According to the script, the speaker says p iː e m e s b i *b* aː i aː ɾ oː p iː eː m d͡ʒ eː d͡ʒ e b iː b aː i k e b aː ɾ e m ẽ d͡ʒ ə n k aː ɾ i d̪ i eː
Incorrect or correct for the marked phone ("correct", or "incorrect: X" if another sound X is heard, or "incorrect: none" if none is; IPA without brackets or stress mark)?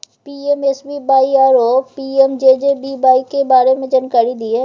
correct